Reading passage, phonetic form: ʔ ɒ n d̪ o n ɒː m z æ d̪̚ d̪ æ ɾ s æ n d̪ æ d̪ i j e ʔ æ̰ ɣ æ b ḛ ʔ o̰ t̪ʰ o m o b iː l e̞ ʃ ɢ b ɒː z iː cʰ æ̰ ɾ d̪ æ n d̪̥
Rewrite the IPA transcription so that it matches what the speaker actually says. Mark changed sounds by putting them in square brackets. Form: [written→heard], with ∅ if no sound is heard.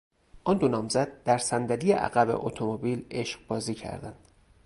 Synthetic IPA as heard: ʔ ɒ n d̪ o n ɒː m z æ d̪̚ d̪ æ ɾ s æ n d̪ æ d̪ i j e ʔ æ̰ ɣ æ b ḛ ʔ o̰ t̪ʰ o m o b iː l e̞ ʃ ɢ b ɒː z iː cʰ æ̰ ɾ d̪ æ n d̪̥